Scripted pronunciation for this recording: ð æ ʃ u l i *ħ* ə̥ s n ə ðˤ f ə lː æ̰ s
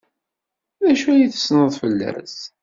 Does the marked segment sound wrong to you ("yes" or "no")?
yes